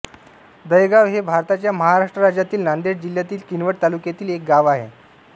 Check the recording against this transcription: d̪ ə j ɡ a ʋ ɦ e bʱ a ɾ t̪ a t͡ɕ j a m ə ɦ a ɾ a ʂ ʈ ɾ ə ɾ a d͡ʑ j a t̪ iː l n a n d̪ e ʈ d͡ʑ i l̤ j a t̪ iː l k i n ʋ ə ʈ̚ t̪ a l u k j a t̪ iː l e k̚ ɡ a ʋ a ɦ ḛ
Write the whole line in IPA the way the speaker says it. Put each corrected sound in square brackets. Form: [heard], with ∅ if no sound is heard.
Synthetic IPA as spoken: d̪ ə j ɡ a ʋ ɦ e bʱ a ɾ t̪ a t͡ɕ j a m ə ɦ a ɾ a ʂ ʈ ɾ ə ɾ a d͡ʑ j a t̪ iː l n a n d̪ e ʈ d͡ʑ i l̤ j a t̪ iː l k i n ʋ ə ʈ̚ t̪ a l u k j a t̪ iː l e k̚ ɡ a ʋ a ɦ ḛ